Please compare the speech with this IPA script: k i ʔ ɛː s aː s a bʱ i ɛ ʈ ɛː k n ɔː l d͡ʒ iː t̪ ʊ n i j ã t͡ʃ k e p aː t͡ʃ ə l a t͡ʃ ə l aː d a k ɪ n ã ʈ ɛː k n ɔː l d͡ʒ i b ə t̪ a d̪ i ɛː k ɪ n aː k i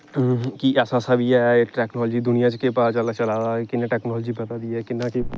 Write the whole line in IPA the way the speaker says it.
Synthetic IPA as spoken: k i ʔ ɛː s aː s a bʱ i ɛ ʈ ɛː k n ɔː l d͡ʒ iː d̪ ʊ n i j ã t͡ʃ k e p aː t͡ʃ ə l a t͡ʃ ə l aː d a k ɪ n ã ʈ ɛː k n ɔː l d͡ʒ i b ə t̪ a d̪ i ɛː k ɪ n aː k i